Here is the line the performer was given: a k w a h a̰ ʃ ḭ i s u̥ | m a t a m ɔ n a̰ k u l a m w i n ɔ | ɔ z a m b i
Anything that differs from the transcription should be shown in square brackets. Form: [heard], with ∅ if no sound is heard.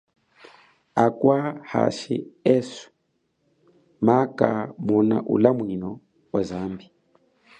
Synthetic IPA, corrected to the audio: a k w a h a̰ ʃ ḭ [ɛ] s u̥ | m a [k] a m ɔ n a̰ [ʔ] u l a m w i n ɔ | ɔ z a m b i